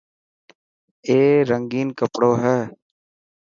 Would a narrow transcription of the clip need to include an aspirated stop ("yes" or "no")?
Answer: no